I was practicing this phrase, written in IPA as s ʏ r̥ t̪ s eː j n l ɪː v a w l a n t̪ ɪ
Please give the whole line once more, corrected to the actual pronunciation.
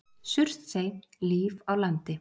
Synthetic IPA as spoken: s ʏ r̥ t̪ s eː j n l iː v a w l a n t̪ ɪ

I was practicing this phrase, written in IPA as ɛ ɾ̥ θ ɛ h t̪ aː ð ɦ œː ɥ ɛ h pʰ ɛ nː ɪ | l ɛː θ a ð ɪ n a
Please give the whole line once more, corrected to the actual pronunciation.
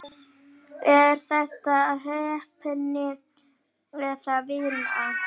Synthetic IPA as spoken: ɛ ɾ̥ θ ɛ h t̪ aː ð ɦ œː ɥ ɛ h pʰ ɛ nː ɪ | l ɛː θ a v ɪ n a

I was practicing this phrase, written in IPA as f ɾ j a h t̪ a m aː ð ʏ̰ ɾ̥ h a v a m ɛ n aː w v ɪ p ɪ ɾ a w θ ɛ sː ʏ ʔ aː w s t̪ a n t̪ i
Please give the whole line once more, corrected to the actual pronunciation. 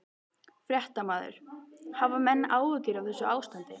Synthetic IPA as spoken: f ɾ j ɛ h t̪ a m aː ð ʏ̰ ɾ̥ h a v a m ɛ nː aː w v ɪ c ɪ ɾ a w θ ɛ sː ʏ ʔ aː w s t̪ a n t̪ ɪ

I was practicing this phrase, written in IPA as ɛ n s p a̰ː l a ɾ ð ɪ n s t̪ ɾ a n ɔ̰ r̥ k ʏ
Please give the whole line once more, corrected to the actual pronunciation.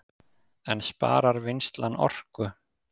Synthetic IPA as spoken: ɛ n s p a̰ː ɾ a ɾ v ɪ n s t̪ l a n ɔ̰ r̥ k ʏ

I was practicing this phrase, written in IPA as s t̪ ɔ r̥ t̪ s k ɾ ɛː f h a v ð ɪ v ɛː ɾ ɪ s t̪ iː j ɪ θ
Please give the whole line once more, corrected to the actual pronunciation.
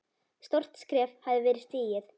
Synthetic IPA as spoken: s t̪ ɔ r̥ t̪ s k ɾ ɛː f h a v ð ɪ v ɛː ɾ ɪ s t̪ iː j ɪ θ

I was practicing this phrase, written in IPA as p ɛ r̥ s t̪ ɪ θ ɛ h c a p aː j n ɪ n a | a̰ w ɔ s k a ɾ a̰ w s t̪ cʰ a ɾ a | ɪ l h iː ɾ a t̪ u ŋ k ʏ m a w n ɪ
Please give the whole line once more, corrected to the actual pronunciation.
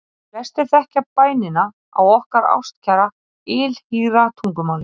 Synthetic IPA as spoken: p ɛ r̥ s t̪ ɪ θ ɛ h c a p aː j n ɪ n a | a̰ w ɔ h k a ɾ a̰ w s t̪ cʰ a ɾ a | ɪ l h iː ɾ a t̪ʰ u ŋ k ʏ m a w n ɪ

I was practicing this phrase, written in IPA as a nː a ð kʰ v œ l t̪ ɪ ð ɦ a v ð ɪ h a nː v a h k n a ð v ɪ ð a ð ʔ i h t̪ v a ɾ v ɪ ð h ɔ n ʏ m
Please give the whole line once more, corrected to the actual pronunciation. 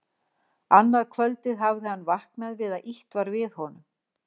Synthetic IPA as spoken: a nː a ð kʰ v œ l t̪ ɪ ð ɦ a v ð ɪ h a nː v a h k n a ð v ɪ ð a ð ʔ i h t̪ v a ɾ v ɪ ð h ɔ n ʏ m

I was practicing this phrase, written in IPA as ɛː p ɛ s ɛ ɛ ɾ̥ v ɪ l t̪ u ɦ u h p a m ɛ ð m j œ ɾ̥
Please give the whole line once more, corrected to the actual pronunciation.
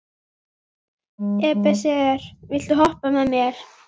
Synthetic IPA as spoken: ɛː p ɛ s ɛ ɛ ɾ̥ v ɪ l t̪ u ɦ ɔ h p a m ɛ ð m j ɛ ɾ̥

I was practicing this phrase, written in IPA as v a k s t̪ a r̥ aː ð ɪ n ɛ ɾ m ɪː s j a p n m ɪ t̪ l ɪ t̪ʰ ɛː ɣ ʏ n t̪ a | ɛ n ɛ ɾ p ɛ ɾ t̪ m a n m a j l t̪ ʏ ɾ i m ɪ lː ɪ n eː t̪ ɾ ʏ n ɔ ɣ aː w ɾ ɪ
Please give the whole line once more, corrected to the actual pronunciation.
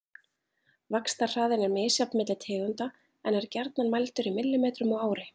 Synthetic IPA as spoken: v a k s t̪ a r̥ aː ð ɪ n ɛ ɾ m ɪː s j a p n m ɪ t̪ l ɪ t̪ʰ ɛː ɣ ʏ n t̪ a | ɛ n ɛ ɾ c ɛ ɾ t̪ n a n m a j l t̪ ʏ ɾ i m ɪ lː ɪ m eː t̪ ɾ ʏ m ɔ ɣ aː w ɾ ɪ

